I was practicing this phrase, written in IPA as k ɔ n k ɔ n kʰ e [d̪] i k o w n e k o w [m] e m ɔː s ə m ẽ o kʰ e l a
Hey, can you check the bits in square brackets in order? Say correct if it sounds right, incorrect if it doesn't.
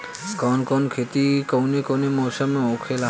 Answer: incorrect: t̪, incorrect: n

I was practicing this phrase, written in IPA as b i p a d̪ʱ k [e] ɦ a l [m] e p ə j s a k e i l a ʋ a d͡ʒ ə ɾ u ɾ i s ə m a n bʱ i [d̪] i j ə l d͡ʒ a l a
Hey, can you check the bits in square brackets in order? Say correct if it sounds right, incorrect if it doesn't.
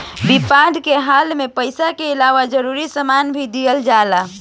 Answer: correct, correct, correct

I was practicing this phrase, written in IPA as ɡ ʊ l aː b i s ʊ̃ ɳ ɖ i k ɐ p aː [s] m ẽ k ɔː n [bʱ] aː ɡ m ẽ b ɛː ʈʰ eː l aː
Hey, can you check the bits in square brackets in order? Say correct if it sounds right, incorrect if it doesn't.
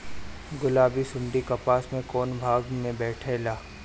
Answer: correct, correct

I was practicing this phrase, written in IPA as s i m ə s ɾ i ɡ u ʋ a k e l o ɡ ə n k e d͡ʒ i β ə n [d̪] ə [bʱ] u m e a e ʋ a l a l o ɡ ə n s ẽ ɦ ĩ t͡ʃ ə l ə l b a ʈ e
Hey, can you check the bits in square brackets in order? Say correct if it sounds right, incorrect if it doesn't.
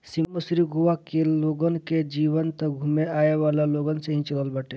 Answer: incorrect: t̪, incorrect: ɡʱ

